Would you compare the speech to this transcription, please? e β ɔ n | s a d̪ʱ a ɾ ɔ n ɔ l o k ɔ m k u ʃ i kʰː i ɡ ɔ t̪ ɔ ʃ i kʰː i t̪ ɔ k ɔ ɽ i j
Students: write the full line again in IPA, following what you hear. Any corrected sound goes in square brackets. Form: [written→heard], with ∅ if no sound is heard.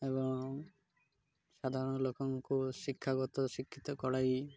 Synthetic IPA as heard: e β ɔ [n→ŋ] | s a d̪ʱ a ɾ ɔ n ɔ l o k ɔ [m→ŋ] k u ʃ i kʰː [i→a] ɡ ɔ t̪ ɔ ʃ i kʰː i t̪ ɔ k ɔ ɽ [i→a] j